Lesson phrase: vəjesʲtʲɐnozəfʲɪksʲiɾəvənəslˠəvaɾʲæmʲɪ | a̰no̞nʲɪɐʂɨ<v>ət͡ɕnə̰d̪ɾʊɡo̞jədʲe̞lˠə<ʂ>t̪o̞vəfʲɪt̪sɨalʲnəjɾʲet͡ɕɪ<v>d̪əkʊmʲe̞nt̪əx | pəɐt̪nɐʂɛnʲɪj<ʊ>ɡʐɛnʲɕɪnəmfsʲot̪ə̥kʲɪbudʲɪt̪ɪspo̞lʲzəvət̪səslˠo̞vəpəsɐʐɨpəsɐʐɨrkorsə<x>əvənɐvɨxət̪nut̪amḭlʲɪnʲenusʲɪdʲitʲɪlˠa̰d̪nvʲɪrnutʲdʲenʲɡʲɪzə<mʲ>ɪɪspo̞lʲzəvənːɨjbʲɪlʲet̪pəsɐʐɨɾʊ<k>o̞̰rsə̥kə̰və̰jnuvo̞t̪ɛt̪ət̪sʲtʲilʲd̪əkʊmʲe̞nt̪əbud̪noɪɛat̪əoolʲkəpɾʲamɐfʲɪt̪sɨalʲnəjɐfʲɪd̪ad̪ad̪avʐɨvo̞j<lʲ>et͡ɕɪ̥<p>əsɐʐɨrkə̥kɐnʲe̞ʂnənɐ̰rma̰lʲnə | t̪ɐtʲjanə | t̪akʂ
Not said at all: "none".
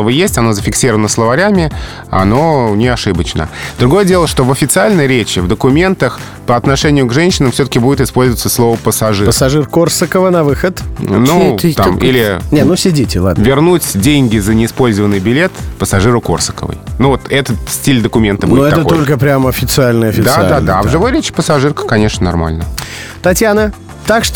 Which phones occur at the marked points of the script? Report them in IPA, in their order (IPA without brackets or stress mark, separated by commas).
b, ʂ, v, ʊ, k, nʲ, k, ɾʲ, p